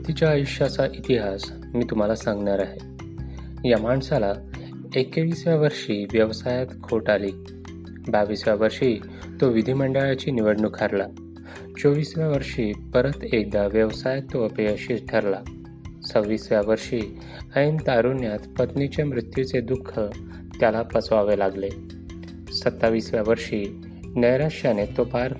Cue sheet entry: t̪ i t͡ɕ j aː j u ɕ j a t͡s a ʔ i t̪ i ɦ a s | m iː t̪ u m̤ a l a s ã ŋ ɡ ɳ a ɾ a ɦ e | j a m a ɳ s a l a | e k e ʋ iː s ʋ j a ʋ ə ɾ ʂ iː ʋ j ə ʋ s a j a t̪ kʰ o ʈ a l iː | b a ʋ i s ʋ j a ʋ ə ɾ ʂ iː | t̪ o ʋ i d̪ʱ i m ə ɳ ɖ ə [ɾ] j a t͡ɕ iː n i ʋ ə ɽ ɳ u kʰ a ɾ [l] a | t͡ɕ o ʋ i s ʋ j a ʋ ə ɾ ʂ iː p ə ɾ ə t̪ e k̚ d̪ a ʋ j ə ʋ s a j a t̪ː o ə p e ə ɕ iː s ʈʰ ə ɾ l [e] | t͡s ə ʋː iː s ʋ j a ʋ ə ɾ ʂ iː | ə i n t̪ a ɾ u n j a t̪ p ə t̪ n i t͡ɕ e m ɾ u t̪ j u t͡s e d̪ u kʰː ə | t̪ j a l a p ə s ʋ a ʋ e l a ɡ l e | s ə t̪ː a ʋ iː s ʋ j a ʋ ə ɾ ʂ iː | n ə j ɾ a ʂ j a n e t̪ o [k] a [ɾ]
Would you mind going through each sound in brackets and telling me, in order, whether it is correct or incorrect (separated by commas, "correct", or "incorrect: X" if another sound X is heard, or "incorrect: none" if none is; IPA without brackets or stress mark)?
incorrect: ɭ, correct, incorrect: a, incorrect: p, correct